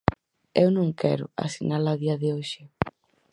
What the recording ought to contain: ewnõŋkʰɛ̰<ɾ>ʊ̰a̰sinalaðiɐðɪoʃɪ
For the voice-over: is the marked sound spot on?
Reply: yes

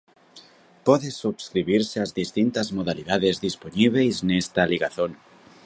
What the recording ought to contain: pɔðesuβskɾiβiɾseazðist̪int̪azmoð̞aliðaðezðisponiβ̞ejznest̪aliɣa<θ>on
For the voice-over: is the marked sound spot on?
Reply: yes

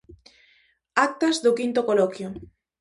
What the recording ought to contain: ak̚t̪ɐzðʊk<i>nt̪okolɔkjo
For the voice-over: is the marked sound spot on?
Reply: yes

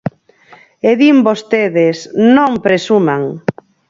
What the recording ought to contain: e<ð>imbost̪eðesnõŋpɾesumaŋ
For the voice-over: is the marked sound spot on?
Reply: yes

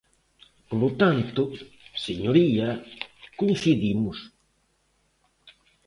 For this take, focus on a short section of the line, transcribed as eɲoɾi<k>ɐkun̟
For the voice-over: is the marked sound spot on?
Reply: no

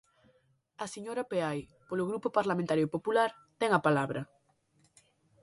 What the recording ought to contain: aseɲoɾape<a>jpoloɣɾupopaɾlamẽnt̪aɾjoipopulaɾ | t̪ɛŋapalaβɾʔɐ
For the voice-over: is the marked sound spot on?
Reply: yes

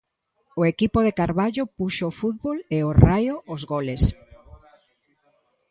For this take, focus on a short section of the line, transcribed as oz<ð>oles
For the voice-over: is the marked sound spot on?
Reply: no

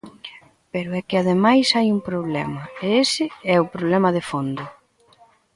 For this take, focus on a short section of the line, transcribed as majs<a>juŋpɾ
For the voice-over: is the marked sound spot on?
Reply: yes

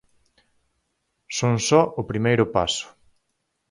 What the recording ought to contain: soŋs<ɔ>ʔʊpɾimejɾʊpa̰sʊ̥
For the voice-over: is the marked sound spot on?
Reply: yes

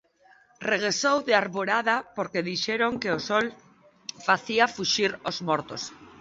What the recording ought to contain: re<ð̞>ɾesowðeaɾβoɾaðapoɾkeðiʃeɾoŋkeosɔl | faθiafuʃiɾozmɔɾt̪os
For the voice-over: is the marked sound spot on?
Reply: no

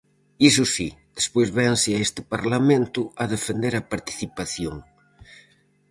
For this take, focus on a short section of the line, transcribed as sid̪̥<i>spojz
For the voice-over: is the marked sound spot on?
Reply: no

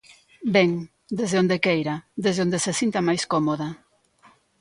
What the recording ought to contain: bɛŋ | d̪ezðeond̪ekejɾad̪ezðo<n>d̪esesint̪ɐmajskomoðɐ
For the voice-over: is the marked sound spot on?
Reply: yes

